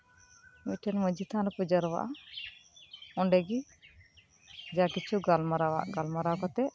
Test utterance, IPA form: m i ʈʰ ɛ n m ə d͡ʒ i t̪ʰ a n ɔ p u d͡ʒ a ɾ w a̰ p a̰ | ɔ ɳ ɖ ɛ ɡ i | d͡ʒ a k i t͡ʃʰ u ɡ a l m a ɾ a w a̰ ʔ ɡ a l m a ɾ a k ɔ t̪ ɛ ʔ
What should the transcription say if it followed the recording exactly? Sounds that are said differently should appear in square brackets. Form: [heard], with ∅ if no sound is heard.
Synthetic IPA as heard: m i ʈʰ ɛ n m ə d͡ʒ i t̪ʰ a n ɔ p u d͡ʒ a ɾ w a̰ [ʔ] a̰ | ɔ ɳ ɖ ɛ ɡ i | d͡ʒ a k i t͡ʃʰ u ɡ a l m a ɾ a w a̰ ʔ ɡ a l m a ɾ a k ɔ t̪ ɛ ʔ